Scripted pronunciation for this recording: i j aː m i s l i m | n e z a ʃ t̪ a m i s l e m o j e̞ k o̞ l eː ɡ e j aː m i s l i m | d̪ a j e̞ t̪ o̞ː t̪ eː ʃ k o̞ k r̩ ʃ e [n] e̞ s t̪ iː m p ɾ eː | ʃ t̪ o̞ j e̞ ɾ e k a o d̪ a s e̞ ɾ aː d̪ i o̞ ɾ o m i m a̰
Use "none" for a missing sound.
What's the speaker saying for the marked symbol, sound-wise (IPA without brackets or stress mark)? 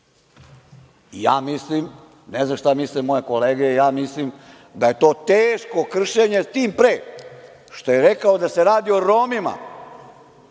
ɲ